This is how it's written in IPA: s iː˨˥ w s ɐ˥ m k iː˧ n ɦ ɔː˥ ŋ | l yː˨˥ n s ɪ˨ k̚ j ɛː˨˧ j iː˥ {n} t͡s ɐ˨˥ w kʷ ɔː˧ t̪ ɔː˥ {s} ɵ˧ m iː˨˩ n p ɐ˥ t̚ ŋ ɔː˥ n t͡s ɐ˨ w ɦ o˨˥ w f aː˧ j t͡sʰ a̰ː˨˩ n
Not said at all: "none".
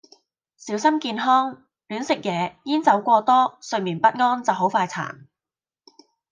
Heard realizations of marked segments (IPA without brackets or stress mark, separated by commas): n, s